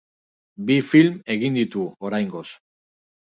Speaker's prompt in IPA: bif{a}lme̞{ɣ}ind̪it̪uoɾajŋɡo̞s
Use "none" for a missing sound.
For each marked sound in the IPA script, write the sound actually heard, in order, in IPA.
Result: i, ɣ

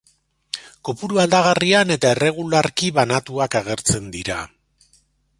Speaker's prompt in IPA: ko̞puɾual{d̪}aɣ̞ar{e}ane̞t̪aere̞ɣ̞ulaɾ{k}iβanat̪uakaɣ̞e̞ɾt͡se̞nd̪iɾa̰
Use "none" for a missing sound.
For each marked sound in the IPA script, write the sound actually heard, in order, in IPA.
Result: d̪, i, k

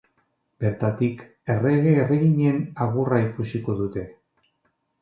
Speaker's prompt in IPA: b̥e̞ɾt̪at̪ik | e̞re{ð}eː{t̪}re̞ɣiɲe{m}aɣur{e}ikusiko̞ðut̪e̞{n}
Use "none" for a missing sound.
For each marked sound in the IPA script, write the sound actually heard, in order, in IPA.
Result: ɣ, none, n, a, none

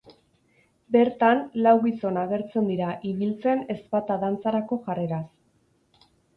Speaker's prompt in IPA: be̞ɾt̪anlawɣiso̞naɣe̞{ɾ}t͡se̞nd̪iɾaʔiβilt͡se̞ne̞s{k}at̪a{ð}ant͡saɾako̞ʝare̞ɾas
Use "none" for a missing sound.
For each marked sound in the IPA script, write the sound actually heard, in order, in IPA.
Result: ɾ, p, ð

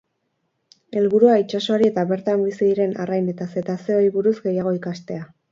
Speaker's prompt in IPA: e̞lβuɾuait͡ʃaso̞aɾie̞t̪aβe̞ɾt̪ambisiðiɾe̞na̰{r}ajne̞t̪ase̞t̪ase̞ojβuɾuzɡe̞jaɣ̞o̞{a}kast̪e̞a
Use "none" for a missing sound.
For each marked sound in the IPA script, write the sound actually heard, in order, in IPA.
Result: r, i

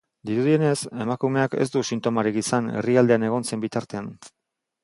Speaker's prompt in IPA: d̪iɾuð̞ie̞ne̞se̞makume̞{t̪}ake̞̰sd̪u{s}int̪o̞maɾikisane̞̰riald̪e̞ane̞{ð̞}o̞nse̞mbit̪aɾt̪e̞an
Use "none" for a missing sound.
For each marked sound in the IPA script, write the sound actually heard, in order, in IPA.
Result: none, s, ɣ̞

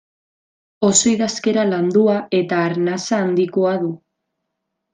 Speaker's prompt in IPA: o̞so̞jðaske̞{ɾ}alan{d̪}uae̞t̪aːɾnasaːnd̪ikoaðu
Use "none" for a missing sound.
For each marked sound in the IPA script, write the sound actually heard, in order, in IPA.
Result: ɾ, d̪

